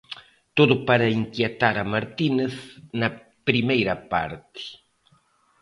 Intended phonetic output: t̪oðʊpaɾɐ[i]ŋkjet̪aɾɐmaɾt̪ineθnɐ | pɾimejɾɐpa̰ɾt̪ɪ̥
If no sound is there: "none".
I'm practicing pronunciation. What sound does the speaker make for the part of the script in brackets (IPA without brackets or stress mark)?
i